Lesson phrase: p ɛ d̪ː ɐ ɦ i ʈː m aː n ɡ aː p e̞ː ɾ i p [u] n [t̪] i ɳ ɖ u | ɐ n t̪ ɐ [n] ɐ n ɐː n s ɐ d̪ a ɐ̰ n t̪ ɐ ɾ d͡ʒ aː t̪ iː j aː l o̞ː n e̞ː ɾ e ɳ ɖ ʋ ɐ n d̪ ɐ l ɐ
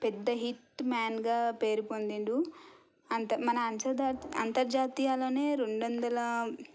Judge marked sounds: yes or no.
no, no, no

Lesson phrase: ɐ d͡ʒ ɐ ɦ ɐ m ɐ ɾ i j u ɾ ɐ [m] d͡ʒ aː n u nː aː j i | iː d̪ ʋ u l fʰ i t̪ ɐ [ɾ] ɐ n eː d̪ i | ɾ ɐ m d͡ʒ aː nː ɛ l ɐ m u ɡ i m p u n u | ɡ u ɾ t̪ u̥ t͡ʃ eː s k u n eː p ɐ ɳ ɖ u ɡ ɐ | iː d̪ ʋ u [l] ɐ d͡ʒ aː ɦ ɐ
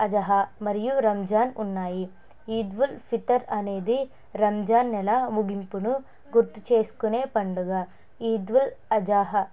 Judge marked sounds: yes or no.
yes, yes, yes

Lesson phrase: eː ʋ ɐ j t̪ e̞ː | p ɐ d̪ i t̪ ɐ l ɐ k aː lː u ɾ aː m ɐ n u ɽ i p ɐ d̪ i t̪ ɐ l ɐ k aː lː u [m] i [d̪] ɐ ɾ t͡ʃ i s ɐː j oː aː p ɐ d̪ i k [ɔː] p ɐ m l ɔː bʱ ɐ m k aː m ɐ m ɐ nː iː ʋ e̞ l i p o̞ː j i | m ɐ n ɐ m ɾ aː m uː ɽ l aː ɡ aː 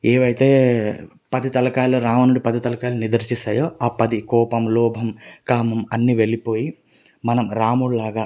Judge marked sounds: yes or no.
no, yes, yes

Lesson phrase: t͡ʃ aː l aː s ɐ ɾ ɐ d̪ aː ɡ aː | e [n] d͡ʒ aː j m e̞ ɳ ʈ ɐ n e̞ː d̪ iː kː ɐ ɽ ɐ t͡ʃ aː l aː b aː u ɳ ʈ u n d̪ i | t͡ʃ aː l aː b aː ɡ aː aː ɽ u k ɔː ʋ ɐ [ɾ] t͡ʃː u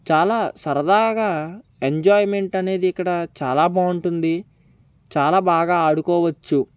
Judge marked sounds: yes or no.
no, no

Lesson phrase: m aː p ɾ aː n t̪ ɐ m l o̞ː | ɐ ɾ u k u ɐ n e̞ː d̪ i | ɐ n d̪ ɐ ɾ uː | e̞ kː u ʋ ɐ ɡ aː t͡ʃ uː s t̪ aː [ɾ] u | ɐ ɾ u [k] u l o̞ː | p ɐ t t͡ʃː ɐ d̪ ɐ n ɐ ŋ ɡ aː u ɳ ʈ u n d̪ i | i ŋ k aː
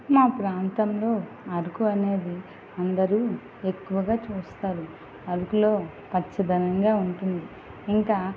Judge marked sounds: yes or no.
yes, yes

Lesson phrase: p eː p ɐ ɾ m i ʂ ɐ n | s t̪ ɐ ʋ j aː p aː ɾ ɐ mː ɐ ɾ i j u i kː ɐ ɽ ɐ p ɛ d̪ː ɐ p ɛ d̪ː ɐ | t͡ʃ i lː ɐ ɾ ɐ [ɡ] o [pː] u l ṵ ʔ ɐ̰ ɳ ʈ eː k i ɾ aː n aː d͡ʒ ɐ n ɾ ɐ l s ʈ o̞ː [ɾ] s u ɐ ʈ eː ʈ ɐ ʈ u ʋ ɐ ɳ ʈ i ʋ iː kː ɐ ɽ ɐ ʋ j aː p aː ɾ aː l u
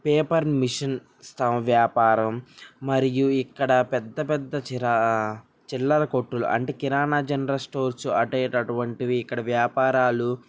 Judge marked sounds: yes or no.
no, no, yes

